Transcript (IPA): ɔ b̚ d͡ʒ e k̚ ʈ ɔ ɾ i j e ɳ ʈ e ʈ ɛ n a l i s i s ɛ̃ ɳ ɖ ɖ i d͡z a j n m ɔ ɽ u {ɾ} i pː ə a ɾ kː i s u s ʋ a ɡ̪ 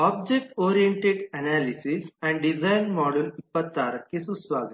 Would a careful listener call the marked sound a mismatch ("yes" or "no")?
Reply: yes